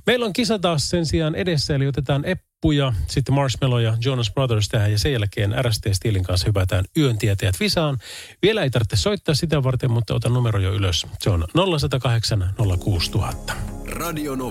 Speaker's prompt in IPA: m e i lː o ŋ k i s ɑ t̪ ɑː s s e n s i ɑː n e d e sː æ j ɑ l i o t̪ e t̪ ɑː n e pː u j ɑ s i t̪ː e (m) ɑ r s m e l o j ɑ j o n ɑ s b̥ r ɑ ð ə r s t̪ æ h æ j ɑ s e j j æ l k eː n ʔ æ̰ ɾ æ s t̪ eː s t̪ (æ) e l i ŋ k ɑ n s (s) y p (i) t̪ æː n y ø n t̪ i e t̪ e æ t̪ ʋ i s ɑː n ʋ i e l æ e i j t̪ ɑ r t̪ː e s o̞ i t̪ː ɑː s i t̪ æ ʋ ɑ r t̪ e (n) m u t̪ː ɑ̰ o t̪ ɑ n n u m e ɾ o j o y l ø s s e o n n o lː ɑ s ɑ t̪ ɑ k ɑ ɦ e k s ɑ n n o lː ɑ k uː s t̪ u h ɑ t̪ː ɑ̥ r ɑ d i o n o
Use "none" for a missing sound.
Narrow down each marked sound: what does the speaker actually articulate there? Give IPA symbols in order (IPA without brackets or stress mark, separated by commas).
m, i, h, æ, m